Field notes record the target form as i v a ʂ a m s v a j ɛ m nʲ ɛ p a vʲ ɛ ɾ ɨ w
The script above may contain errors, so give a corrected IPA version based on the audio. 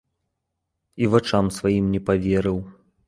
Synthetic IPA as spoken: i v a t͡ʂ a m s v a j i m nʲ ɛ p a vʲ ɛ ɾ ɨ w